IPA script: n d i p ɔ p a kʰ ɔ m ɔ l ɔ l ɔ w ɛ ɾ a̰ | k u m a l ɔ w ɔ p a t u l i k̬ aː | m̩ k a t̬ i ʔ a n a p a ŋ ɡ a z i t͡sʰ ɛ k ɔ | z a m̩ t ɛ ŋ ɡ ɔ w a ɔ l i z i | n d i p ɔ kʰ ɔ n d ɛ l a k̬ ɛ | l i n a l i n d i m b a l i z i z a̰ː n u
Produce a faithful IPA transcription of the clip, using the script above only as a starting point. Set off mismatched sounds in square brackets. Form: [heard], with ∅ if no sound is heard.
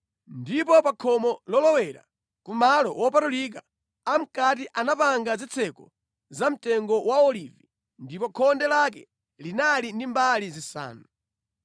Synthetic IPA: n d i p ɔ p a kʰ ɔ m ɔ l ɔ l ɔ w ɛ ɾ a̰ | k u m a l ɔ w ɔ p a t u l i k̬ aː | m̩ k a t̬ i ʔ a n a p a ŋ ɡ a z i t͡sʰ ɛ k ɔ | z a m̩ t ɛ ŋ ɡ ɔ w a ɔ l i [v] i | n d i p ɔ kʰ ɔ n d ɛ l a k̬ ɛ | l i n a l i n d i m b a l i z i [s] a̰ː n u